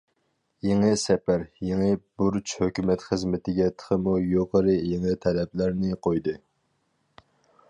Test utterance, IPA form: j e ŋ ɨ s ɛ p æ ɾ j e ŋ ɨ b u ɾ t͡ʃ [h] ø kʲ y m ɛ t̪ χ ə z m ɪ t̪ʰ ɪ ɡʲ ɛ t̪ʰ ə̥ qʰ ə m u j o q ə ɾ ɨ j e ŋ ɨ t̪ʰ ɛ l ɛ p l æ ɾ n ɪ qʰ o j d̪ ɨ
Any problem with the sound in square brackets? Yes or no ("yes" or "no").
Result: no